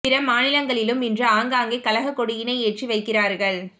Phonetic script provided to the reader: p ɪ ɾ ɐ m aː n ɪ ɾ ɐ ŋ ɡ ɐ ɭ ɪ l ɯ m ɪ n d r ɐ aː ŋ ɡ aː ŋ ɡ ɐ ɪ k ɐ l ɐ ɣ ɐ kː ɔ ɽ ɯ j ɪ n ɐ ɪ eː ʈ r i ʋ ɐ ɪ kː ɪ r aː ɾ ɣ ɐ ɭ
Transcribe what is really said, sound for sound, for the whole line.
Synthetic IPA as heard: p ɪ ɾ ɐ m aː n ɪ l ɐ ŋ ɡ ɐ ɭ ɪ l ɯ m ɪ n d r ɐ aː ŋ ɡ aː ŋ ɡ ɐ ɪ k ɐ l ɐ ɣ ɐ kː ɔ ɽ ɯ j ɪ n ɐ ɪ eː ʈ r i ʋ ɐ ɪ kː ɪ r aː ɾ ɣ ɐ ɭ